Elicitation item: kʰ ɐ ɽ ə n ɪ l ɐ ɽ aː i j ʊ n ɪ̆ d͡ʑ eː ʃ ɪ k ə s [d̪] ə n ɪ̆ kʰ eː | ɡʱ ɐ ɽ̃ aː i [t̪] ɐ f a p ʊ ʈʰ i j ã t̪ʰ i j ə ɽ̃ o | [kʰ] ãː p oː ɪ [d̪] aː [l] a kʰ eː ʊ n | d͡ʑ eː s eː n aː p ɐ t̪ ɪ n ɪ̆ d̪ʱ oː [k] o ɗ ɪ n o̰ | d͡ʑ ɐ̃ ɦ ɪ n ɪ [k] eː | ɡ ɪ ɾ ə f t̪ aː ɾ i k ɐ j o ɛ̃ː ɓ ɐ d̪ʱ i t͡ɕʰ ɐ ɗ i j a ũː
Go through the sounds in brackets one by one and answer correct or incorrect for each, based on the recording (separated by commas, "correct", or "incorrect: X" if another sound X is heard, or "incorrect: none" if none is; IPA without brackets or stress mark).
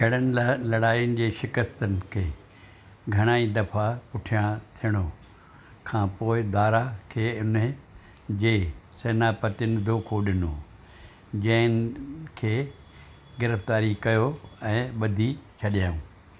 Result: incorrect: t̪, incorrect: d̪, correct, correct, incorrect: ɾ, incorrect: kʰ, incorrect: kʰ